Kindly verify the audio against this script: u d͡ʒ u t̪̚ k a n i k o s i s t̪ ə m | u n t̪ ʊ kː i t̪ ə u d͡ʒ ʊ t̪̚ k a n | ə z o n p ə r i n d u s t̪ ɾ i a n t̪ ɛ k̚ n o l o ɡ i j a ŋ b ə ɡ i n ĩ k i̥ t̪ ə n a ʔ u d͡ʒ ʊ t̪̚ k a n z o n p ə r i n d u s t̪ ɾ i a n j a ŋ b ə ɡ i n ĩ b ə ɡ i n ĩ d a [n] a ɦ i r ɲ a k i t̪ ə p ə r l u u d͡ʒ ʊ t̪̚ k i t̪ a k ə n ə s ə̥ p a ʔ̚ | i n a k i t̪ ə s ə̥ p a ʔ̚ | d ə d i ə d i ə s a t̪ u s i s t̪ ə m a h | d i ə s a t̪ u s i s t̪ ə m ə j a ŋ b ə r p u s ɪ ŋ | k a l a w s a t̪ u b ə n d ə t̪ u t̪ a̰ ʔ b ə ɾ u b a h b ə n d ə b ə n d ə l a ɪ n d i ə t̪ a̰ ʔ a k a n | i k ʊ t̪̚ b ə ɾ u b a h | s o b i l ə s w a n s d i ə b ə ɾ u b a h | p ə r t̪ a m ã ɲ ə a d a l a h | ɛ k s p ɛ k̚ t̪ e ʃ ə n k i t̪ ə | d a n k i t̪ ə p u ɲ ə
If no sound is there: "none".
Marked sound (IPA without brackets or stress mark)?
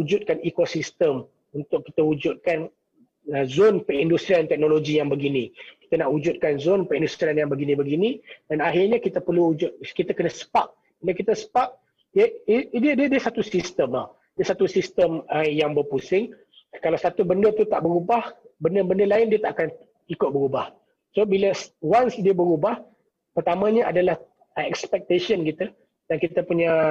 n